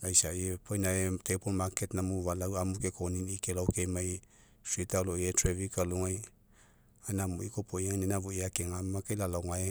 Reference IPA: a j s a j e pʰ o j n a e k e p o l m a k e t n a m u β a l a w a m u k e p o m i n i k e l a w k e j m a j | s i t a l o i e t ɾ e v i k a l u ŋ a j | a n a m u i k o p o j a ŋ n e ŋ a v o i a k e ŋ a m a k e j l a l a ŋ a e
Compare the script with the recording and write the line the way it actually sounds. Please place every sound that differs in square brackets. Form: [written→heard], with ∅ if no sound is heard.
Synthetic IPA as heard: a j s a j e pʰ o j n a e [k→t] e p o l m a k e t n a m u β a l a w a m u k e [p→k] o [m→n] i n i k e l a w k e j m a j | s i t a l o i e t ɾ e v i k a l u ŋ a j | a n a m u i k o p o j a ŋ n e [ŋ→n] a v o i a k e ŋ a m a k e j l a l a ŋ a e